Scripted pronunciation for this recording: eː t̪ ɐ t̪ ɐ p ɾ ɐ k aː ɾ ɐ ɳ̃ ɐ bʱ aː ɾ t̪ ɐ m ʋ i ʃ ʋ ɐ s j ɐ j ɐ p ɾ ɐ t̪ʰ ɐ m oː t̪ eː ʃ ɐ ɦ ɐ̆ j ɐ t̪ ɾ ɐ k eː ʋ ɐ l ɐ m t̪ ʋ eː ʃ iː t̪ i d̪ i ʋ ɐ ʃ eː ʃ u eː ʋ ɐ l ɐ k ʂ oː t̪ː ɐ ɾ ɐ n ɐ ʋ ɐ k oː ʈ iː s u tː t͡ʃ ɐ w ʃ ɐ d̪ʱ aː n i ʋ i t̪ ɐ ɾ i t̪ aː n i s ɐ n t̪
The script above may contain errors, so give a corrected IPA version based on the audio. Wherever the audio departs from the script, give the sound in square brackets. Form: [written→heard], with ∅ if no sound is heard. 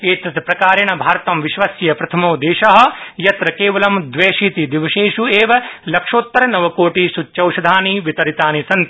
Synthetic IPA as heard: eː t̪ ɐ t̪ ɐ p ɾ ɐ k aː ɾ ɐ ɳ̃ ɐ bʱ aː ɾ t̪ ɐ m ʋ i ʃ ʋ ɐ s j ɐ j ɐ p ɾ ɐ t̪ʰ ɐ m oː [t̪→d̪] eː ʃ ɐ ɦ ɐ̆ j ɐ t̪ ɾ ɐ k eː ʋ ɐ l ɐ m [t̪→d̪] ʋ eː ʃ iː t̪ i d̪ i ʋ ɐ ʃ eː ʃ u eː ʋ ɐ l ɐ k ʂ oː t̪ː ɐ ɾ ɐ n ɐ ʋ ɐ k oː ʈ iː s u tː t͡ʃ ɐ w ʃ ɐ d̪ʱ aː n i ʋ i t̪ ɐ ɾ i t̪ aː n i s ɐ n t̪

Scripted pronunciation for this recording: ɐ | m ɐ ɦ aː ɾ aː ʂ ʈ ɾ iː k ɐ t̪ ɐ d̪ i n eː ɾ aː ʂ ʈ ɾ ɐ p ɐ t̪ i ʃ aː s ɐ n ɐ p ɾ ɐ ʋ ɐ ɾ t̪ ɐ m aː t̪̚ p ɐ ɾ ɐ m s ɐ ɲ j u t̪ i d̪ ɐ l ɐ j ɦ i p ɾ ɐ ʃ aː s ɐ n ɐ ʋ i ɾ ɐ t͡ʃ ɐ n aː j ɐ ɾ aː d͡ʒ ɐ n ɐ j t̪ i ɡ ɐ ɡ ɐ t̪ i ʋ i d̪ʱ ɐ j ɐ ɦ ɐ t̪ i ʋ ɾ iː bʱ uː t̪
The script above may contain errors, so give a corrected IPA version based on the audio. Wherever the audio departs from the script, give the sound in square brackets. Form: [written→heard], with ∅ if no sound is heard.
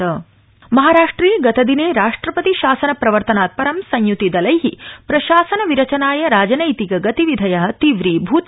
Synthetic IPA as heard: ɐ | m ɐ ɦ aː ɾ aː ʂ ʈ ɾ iː [k→ɡ] ɐ t̪ ɐ d̪ i n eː ɾ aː ʂ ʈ ɾ ɐ p ɐ t̪ i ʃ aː s ɐ n ɐ p ɾ ɐ ʋ ɐ ɾ t̪ ɐ [m→n] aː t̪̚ p ɐ ɾ ɐ m s ɐ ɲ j u t̪ i d̪ ɐ l ɐ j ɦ i p ɾ ɐ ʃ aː s ɐ n ɐ ʋ i ɾ ɐ t͡ʃ ɐ n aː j ɐ ɾ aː d͡ʒ ɐ n ɐ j t̪ i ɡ ɐ ɡ ɐ t̪ i ʋ i d̪ʱ ɐ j ɐ ɦ ɐ t̪ i ʋ ɾ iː bʱ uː t̪

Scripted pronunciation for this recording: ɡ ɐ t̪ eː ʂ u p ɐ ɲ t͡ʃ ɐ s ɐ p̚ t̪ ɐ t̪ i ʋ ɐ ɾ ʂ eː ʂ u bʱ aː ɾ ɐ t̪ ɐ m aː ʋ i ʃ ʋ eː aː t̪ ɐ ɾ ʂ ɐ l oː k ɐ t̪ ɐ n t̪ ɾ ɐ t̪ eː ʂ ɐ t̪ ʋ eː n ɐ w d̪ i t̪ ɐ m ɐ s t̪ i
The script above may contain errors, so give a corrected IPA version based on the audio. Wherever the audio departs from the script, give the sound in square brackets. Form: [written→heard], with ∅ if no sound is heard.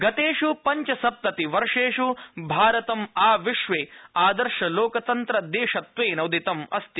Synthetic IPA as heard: ɡ ɐ t̪ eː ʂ u p ɐ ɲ t͡ʃ ɐ s ɐ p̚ t̪ ɐ t̪ i ʋ ɐ ɾ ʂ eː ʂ u bʱ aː ɾ ɐ t̪ ɐ m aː ʋ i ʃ ʋ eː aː [t̪→d̪] ɐ ɾ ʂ ɐ l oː k ɐ t̪ ɐ n t̪ ɾ ɐ [t̪→d̪] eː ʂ ɐ t̪ ʋ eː n ɐ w d̪ i t̪ ɐ m ɐ s t̪ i

